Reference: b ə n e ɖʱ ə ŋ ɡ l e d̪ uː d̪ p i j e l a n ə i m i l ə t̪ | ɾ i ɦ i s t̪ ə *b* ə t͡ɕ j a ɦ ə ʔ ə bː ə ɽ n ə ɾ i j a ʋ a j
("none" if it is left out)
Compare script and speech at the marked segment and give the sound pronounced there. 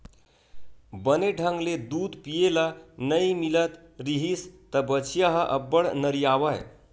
b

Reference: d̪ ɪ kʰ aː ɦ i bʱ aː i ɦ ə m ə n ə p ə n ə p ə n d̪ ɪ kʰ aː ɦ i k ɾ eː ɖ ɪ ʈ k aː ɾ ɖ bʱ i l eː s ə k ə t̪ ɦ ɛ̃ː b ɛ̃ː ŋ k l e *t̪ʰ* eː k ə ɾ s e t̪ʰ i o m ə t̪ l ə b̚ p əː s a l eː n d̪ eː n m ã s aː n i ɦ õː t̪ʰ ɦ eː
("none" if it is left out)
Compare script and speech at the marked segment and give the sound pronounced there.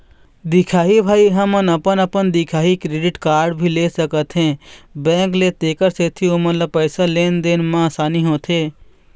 t̪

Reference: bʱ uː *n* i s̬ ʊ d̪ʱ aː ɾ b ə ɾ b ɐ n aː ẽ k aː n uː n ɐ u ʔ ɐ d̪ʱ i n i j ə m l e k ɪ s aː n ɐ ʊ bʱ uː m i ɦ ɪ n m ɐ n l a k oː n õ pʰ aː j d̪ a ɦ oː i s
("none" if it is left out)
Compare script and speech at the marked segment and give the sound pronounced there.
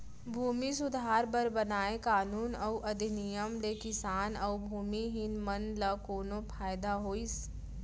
m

